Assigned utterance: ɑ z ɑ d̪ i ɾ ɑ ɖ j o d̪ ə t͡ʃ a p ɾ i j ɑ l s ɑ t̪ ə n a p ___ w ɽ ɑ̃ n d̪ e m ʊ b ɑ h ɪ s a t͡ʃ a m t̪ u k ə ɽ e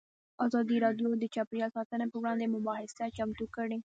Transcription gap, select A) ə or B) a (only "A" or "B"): A